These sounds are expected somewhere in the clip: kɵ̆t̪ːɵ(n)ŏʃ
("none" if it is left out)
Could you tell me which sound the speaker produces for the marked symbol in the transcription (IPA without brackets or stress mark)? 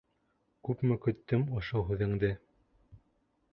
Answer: m